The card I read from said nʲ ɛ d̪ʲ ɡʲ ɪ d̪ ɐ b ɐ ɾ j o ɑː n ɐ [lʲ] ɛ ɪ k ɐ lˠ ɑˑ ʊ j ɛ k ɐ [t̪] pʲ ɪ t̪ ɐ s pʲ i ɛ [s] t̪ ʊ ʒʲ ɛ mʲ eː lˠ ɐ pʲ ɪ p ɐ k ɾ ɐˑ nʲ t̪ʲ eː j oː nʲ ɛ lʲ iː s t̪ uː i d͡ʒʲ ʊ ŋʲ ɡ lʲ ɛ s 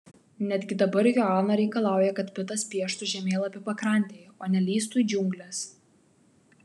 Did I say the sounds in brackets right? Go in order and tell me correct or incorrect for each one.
incorrect: ɾʲ, correct, incorrect: ʃ

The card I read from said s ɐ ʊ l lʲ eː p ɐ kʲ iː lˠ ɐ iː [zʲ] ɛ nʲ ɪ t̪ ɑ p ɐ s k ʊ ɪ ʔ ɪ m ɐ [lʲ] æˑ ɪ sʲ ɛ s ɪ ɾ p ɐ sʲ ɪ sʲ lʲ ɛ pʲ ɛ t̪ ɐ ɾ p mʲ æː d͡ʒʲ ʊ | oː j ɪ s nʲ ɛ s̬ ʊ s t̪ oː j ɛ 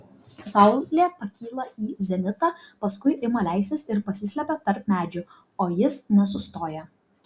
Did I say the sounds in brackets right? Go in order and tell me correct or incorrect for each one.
correct, correct

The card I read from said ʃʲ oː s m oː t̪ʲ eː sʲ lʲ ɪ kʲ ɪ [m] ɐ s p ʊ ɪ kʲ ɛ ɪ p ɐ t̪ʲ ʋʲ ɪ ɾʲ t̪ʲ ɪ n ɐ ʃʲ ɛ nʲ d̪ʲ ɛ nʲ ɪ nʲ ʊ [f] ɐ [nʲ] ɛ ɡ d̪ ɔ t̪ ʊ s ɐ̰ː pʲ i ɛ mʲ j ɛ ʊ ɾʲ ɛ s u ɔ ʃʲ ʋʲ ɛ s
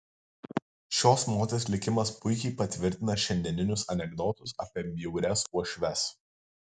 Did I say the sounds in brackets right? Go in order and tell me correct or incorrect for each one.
correct, incorrect: s, correct

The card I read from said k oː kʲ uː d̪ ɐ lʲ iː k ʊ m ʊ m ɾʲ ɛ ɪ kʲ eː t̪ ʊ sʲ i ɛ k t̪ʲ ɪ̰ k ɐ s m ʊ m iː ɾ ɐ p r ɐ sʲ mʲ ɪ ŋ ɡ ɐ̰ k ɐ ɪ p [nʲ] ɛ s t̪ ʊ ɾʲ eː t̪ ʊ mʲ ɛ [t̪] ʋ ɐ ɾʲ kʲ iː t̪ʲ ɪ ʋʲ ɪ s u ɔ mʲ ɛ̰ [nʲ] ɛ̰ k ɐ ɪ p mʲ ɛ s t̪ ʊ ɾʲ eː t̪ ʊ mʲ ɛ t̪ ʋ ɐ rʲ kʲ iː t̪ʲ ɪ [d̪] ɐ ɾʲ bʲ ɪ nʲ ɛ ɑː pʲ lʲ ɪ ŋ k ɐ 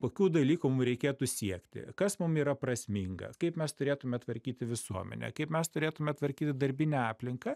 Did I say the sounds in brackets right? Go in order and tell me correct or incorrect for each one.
incorrect: mʲ, correct, correct, correct

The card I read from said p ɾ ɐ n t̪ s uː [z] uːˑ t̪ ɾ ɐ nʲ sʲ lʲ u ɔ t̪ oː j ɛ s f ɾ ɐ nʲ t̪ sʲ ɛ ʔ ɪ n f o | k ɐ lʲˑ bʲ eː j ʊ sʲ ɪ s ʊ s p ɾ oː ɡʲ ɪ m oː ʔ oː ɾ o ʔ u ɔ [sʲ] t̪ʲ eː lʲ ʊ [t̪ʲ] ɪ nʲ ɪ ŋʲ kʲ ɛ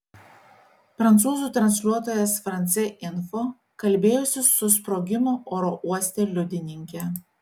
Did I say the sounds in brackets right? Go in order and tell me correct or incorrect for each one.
correct, correct, incorrect: d̪ʲ

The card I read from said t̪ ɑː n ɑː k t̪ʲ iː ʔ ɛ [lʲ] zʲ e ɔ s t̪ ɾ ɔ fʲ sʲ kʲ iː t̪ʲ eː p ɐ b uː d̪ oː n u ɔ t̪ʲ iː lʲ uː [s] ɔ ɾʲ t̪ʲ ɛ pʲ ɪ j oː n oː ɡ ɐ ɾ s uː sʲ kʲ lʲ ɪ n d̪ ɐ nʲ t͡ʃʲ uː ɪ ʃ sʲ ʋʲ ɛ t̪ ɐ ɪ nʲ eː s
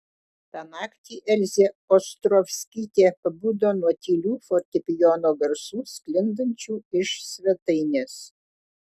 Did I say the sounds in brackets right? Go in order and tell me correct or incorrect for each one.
correct, incorrect: f

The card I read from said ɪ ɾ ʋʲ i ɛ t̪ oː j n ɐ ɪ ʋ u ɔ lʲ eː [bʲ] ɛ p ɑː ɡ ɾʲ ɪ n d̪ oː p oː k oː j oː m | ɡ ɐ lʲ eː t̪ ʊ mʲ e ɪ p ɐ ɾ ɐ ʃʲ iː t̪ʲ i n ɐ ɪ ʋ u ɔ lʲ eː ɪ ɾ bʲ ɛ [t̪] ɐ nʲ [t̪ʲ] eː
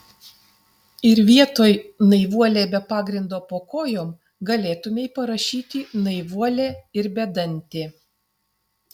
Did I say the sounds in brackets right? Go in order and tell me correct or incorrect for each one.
correct, incorrect: d̪, correct

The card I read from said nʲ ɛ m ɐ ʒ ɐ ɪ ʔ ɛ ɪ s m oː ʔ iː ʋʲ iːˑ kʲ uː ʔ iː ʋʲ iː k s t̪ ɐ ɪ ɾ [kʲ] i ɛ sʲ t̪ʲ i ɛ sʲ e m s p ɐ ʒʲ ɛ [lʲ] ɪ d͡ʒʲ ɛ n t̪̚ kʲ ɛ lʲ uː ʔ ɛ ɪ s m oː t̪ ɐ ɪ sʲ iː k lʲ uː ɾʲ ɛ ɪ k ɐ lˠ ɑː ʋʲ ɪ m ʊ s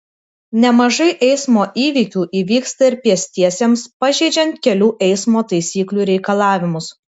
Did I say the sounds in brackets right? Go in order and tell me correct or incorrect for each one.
incorrect: pʲ, incorrect: none

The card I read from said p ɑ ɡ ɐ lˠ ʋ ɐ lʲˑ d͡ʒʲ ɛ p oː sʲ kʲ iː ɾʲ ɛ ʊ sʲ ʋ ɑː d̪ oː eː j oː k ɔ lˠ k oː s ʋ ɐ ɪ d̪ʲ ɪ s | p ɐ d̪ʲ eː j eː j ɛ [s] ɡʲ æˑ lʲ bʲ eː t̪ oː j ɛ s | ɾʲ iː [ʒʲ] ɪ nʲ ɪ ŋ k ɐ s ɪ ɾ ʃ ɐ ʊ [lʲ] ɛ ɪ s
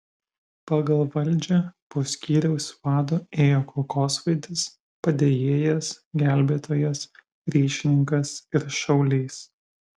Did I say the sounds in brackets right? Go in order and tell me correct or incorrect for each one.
correct, incorrect: ʃʲ, correct

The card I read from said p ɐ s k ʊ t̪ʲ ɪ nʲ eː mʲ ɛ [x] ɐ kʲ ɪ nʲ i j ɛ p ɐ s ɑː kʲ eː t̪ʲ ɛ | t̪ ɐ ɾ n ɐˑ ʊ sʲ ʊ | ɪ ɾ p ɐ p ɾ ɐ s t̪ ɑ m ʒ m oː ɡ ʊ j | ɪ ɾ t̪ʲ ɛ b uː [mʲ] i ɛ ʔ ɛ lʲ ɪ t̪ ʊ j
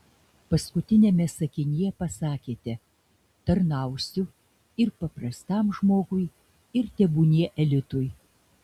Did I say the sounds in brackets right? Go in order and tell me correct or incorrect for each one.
incorrect: s, incorrect: nʲ

